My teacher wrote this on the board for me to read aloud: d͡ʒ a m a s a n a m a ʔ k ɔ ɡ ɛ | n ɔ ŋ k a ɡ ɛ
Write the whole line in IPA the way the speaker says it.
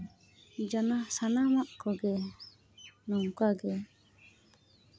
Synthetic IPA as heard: d͡ʒ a n a s a n a m a ʔ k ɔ ɡ ɛ | n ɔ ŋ k a ɡ ɛ